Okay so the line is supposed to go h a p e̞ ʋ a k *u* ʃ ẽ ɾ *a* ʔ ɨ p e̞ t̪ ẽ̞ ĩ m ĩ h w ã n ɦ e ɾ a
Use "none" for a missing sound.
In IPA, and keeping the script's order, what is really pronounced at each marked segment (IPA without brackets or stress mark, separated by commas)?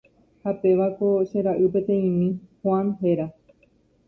o, a